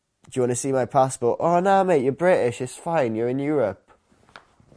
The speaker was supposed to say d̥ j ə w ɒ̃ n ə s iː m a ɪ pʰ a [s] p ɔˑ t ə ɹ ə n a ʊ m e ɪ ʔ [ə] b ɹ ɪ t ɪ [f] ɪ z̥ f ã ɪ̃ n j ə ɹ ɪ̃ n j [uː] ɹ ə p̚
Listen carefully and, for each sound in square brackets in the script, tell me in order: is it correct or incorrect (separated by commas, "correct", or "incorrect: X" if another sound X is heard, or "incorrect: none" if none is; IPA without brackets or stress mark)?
correct, correct, incorrect: ʃ, incorrect: ɔː